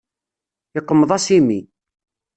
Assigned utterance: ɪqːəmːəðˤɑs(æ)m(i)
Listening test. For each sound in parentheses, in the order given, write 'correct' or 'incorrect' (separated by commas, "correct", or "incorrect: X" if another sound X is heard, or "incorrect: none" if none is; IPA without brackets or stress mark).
incorrect: i, correct